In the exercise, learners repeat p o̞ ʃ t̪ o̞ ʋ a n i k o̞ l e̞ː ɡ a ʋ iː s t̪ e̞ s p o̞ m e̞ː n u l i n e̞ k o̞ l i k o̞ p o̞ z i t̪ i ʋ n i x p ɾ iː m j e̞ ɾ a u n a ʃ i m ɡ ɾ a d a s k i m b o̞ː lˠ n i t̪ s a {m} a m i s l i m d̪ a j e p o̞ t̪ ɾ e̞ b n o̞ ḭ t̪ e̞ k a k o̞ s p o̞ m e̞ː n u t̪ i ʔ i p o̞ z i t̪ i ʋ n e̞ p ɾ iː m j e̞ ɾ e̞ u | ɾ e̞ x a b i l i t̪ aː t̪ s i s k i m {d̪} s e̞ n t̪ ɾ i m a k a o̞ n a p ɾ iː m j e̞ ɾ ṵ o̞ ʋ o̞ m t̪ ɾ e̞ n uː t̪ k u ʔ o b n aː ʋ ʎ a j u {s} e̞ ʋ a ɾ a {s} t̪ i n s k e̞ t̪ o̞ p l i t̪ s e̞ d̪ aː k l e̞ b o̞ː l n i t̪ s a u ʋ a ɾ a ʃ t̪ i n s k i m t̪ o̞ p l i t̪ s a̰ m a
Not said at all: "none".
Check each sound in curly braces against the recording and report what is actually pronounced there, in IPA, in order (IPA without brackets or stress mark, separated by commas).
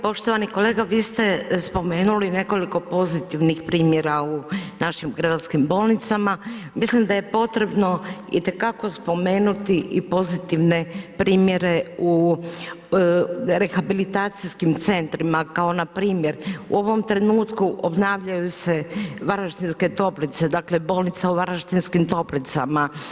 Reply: m, t̪, s, ʃ